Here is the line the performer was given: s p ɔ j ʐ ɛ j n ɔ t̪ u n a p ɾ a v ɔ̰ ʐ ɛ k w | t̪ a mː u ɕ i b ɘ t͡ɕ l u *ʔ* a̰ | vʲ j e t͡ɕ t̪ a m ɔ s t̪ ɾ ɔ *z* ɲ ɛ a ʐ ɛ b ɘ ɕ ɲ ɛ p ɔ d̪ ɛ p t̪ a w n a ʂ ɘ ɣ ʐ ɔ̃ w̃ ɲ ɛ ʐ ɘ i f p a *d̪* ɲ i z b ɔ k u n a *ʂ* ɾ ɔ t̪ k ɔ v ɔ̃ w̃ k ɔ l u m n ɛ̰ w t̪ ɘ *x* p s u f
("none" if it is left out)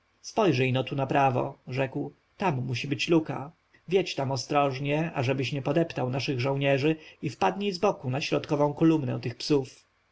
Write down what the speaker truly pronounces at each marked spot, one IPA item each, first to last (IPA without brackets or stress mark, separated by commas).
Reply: k, ʐ, d̪, ɕ, x